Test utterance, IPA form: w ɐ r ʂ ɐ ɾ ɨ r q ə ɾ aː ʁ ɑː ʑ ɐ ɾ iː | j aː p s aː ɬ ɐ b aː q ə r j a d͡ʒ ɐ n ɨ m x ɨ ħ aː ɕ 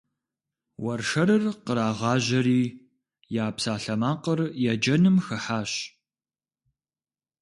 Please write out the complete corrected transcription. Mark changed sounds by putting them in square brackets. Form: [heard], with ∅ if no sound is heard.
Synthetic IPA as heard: w ɐ r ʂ ɐ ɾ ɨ r q ə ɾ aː ʁ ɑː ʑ ɐ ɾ iː | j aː p s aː ɬ ɐ [m] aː q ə r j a d͡ʒ ɐ n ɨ m x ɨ ħ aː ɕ